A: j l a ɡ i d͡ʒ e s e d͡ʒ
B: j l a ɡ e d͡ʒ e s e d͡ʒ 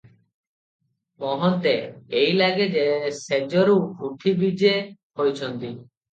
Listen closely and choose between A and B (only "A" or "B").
B